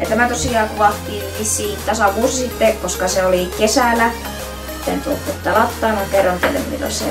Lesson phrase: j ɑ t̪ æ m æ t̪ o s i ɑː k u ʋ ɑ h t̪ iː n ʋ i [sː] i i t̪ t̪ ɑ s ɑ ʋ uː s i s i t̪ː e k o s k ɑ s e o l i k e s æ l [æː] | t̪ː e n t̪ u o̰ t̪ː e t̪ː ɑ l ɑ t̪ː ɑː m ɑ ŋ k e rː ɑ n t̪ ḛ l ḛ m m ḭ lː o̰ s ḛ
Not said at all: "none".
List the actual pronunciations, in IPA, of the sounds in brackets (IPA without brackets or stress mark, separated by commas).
sː, æ